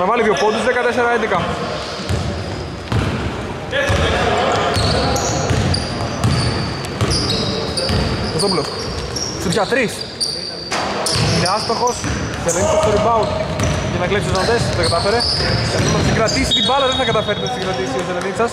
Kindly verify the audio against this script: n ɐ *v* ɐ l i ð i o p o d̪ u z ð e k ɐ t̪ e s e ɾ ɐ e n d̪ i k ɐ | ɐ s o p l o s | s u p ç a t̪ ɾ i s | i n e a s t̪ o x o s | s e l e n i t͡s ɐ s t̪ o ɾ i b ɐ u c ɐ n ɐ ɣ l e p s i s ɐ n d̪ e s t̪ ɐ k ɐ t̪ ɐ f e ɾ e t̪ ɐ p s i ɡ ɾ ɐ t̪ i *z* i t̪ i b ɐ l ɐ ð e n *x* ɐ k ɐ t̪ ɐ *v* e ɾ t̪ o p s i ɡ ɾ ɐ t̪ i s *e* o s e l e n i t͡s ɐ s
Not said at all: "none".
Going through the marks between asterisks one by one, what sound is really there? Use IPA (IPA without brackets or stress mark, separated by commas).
v, s, θ, f, i